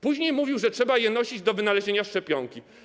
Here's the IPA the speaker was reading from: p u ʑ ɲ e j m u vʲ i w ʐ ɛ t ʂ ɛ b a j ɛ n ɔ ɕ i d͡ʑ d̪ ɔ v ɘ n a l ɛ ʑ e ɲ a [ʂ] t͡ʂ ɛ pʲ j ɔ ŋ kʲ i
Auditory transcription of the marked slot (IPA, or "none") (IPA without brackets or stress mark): ʂ